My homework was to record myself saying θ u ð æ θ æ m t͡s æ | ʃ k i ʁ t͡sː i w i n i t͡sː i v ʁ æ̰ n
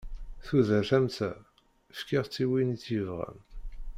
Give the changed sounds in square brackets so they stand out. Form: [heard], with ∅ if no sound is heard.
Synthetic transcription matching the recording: θ u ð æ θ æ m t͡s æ | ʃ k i ʁ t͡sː i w i n i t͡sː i v ʁ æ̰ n